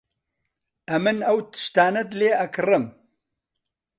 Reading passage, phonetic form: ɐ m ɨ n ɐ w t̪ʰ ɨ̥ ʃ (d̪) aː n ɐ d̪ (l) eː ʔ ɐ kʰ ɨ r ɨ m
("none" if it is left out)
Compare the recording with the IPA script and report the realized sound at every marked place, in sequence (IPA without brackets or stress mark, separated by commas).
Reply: t̪, l